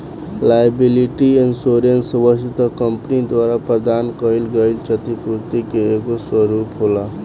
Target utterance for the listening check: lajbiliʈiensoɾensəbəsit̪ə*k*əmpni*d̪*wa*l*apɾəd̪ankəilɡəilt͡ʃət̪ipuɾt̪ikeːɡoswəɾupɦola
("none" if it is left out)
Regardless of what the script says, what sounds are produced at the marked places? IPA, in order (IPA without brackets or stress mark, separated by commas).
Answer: k, d̪, ɾ